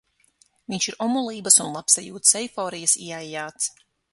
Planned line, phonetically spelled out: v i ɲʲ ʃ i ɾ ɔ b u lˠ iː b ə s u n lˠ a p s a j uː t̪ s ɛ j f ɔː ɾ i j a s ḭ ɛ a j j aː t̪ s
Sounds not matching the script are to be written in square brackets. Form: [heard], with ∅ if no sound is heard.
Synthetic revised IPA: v i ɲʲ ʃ i ɾ ɔ [m] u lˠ iː b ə s u n lˠ a p s a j uː t̪ s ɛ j f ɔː ɾ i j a s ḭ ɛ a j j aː t̪ s